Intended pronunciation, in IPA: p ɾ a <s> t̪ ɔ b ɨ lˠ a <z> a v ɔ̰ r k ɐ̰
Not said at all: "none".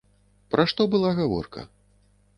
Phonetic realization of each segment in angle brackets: ʂ, ɣ

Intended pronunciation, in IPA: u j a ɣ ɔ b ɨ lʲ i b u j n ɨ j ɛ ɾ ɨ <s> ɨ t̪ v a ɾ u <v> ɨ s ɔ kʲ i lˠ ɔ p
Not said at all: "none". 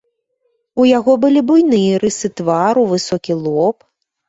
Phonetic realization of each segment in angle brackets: s, v

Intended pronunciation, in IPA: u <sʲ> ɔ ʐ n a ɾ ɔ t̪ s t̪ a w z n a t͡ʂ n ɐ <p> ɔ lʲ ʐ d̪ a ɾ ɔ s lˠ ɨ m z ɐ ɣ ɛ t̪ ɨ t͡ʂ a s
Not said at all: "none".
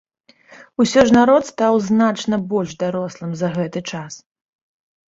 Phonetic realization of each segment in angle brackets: sʲ, b

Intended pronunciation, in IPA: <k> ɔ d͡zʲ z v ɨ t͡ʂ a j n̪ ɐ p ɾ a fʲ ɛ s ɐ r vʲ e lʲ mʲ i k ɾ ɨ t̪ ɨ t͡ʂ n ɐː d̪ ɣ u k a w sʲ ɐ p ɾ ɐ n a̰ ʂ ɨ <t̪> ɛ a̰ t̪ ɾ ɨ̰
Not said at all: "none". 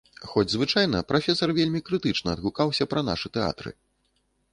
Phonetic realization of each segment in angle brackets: x, t̪

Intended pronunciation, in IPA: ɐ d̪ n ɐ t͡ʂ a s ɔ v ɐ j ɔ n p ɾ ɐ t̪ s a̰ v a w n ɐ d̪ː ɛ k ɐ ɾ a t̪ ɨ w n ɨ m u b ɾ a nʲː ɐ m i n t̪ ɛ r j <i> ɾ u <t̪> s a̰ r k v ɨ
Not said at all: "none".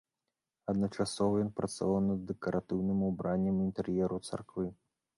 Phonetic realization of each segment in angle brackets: ɛ, t̪

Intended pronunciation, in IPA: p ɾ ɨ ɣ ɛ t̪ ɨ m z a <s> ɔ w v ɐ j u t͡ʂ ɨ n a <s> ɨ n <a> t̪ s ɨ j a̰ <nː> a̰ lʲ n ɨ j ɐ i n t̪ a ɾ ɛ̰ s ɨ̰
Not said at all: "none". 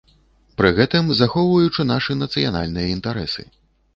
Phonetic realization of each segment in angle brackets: x, ʂ, ɐ, n

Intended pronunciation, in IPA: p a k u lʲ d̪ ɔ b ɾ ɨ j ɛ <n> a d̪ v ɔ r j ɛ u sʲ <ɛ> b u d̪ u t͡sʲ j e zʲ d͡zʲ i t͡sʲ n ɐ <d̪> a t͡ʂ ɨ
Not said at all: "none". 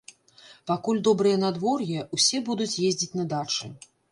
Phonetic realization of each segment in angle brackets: n, ɛ, d̪

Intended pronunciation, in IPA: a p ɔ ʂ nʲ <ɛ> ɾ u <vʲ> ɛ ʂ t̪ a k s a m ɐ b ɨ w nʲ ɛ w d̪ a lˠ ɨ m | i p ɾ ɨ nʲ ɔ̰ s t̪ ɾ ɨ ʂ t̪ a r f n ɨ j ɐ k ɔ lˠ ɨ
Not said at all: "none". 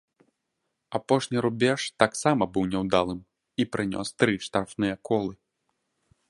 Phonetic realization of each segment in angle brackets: i, bʲ

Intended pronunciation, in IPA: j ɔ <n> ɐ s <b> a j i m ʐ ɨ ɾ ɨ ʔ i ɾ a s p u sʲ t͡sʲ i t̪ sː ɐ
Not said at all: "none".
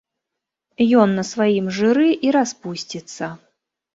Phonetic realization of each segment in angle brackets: nː, v

